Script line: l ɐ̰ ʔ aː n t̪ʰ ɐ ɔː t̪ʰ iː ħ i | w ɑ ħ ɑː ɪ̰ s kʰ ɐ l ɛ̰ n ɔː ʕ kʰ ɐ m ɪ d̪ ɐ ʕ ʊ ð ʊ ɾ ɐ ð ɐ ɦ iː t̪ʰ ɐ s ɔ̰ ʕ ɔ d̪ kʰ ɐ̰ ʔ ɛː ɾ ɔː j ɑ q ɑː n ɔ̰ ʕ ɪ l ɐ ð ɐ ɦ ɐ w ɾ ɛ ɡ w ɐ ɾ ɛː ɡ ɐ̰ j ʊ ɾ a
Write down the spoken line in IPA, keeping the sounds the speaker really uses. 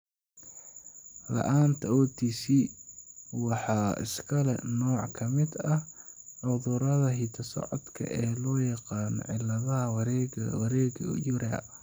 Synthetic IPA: l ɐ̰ ʔ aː n t̪ʰ ɐ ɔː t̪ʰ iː s i | w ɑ ħ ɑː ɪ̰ s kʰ ɐ l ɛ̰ n ɔː ʕ kʰ ɐ m ɪ d̪ ɐ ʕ ʊ ð ʊ ɾ ɐ ð ɐ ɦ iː t̪ʰ ɐ s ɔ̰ ʕ ɔ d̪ kʰ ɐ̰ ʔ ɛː l ɔː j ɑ q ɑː n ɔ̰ ʕ ɪ l ɐ ð ɐ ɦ ɐ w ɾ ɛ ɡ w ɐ ɾ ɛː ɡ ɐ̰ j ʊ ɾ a